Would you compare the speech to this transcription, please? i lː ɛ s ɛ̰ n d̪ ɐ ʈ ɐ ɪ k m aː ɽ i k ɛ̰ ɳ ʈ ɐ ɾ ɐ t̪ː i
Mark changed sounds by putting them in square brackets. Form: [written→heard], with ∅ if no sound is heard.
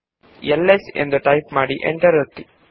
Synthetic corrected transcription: [i→ɛ] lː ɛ s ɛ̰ n d̪ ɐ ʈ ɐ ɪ [k→p] m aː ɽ i [k→ʔ] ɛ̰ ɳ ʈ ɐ ɾ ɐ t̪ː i